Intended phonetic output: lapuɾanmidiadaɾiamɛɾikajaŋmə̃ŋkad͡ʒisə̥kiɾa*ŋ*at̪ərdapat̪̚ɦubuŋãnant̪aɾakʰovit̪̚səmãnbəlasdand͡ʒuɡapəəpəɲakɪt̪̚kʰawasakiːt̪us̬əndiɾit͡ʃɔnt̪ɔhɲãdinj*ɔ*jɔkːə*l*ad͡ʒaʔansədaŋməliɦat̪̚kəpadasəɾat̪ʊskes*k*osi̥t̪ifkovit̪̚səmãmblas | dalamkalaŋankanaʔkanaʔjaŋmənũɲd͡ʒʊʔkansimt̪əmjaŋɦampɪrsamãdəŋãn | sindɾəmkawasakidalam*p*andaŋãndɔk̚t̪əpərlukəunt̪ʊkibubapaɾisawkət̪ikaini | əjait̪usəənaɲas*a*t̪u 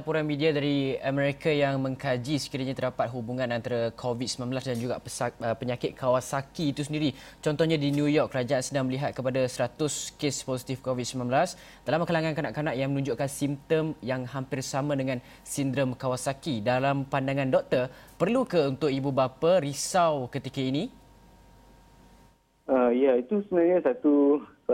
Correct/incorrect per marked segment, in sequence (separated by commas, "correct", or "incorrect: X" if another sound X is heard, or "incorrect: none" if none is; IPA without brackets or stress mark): incorrect: ɲ, incorrect: u, incorrect: ɾ, incorrect: p, correct, correct